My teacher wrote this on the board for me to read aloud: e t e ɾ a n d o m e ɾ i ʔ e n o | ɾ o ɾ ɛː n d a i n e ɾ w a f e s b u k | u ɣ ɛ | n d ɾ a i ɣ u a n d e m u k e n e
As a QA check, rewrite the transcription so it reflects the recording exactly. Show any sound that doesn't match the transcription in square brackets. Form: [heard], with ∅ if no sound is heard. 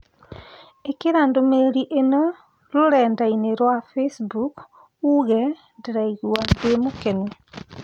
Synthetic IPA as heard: e [k] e ɾ a n d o m e ɾ i ʔ e n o | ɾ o ɾ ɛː n d a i n e ɾ w a f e s b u k | u ɣ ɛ | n d ɾ a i ɣ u a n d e m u k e n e